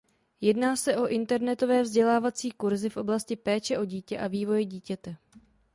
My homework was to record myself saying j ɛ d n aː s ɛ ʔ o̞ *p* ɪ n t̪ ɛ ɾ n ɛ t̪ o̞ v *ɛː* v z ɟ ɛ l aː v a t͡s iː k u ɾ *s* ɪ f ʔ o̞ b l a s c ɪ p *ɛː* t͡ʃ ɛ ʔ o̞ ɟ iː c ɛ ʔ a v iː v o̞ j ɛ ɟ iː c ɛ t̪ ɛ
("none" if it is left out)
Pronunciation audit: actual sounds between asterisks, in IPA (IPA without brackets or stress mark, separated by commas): ʔ, ɛː, z, ɛː